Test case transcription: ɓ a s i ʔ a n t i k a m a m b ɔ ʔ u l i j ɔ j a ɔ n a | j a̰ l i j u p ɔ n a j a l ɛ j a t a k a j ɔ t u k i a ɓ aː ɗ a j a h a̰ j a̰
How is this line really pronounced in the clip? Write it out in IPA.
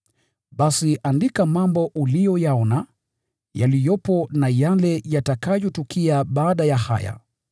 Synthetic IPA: ɓ a s i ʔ a n d i k a m a m b ɔ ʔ u l i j ɔ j a ɔ n a | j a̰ l i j ɔ p ɔ n a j a l ɛ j a t a k a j ɔ t u k i a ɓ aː ɗ a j a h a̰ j a̰